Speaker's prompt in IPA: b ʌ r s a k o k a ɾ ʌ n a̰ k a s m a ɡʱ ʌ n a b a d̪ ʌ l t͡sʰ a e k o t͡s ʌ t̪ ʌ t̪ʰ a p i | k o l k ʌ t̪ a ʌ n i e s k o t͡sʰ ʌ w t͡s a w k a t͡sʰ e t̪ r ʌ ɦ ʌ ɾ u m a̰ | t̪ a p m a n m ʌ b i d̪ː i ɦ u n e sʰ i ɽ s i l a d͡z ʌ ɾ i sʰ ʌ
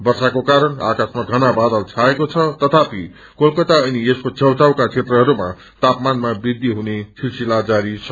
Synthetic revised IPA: b ʌ r s a k o k a ɾ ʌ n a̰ k a s m a ɡʱ ʌ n a b a d̪ ʌ l t͡sʰ a e k o t͡sʰ ʌ t̪ ʌ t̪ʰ a p i | k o l k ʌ t̪ a ʌ n i e s k o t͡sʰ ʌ w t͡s a w k a t͡sʰ e t̪ r ʌ ɦ ʌ ɾ u m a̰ | t̪ a p m a n m a b i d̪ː i ɦ u n e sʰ i l s i l a d͡z a ɾ i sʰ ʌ